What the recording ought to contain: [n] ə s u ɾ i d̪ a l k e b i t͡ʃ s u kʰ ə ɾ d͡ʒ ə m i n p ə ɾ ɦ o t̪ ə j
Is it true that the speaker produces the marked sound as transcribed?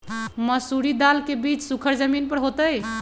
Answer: no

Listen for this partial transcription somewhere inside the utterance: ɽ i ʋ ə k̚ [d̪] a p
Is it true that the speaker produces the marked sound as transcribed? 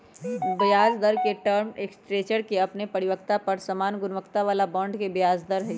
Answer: no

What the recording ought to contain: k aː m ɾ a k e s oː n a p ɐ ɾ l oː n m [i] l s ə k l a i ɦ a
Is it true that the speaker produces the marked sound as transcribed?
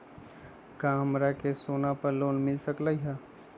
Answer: no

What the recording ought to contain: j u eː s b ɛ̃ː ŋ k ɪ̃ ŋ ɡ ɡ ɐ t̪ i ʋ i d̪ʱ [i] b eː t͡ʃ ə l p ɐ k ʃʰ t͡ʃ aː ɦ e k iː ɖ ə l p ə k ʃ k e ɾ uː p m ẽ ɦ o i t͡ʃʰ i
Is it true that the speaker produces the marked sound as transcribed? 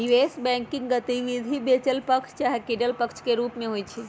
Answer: yes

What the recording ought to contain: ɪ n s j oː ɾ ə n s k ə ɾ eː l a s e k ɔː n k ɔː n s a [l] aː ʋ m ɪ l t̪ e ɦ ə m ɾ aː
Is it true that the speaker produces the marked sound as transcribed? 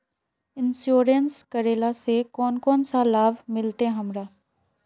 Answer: yes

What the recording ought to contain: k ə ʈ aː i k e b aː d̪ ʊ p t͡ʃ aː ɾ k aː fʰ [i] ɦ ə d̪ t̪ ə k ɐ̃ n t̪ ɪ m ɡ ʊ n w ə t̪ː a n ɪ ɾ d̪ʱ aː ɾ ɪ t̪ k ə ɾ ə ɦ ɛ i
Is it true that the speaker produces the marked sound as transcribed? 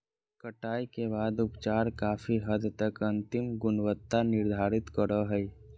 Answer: yes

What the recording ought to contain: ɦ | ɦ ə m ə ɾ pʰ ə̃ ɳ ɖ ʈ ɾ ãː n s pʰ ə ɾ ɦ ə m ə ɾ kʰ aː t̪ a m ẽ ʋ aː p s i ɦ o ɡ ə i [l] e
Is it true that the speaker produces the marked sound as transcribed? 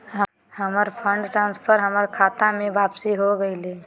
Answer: yes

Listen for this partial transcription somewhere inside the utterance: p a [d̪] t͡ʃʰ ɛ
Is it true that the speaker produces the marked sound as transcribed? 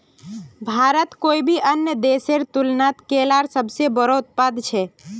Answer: yes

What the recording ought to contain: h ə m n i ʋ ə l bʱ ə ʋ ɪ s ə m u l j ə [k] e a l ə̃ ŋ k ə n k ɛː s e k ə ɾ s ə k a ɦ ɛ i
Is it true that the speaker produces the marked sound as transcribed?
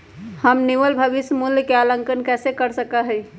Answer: yes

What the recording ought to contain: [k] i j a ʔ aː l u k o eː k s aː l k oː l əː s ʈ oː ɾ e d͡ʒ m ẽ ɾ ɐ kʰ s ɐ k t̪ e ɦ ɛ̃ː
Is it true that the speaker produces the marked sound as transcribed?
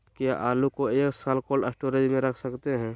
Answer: yes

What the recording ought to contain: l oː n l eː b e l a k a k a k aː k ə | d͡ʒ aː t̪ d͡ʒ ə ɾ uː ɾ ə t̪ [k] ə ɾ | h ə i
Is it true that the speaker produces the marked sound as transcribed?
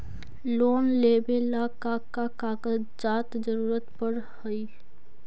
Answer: no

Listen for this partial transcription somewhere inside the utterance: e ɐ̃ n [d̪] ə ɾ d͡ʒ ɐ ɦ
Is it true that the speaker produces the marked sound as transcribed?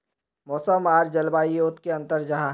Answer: no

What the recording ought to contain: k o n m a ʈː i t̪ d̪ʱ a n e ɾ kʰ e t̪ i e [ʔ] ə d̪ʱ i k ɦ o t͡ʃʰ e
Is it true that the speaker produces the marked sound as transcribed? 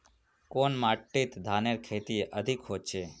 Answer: yes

